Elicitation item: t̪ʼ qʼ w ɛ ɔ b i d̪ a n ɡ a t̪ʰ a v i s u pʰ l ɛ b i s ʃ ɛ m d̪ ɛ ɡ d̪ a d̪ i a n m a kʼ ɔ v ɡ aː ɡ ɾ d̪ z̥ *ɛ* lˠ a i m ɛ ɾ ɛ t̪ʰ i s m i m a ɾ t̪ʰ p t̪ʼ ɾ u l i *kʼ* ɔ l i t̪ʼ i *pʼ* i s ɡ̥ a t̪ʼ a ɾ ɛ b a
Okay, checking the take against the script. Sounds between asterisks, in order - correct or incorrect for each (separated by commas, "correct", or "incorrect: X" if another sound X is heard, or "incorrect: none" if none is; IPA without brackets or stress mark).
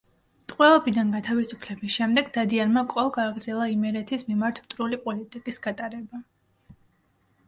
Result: correct, incorrect: pʼ, incorrect: kʼ